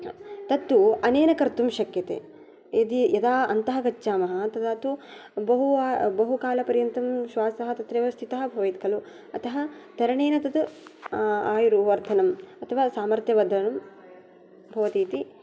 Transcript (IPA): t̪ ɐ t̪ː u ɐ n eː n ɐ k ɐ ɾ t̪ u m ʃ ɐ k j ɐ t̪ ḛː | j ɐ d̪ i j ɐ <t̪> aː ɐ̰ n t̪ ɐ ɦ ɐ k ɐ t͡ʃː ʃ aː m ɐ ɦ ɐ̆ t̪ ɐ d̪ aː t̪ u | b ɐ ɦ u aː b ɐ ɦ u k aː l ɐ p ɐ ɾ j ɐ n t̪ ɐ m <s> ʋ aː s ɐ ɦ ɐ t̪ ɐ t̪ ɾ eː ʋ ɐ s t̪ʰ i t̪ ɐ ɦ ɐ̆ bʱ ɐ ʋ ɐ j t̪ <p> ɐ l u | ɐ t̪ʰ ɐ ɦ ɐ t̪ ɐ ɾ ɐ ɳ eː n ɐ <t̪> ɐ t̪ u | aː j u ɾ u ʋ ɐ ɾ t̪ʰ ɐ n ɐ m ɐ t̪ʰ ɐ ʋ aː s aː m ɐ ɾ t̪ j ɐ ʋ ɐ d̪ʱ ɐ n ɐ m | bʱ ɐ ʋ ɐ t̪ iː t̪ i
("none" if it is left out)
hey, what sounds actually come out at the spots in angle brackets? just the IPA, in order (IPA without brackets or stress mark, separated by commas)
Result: d̪, ʃ, k, t̪